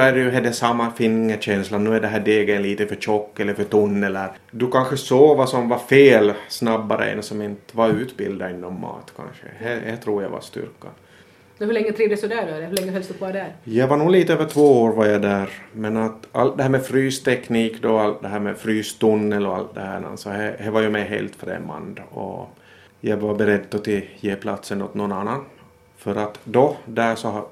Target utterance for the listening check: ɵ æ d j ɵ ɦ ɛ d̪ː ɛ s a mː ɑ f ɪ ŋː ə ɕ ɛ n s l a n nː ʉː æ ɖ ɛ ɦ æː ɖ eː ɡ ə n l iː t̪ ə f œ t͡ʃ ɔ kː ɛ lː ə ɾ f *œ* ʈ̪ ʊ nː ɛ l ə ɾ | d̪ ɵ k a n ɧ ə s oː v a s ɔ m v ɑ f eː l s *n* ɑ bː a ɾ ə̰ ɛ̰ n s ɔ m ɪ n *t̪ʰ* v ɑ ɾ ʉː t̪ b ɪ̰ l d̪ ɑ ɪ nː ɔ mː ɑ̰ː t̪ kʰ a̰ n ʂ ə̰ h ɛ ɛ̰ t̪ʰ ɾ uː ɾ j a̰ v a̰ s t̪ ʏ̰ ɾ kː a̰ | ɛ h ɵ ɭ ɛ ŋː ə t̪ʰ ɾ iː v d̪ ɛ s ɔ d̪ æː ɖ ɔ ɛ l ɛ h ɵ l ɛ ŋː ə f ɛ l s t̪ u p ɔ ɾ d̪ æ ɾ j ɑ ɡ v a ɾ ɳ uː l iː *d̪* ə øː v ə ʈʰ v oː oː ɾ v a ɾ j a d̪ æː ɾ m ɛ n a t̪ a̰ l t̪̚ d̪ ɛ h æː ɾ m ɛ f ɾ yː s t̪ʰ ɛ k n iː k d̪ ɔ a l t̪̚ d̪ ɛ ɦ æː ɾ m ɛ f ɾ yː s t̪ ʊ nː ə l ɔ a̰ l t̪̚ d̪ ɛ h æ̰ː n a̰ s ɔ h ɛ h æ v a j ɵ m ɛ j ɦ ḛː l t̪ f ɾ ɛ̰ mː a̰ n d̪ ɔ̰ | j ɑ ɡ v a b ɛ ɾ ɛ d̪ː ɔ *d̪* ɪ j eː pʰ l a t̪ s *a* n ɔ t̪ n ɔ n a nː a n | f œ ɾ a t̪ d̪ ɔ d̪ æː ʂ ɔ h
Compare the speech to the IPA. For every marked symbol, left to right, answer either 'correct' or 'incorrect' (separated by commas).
correct, correct, incorrect, incorrect, incorrect, incorrect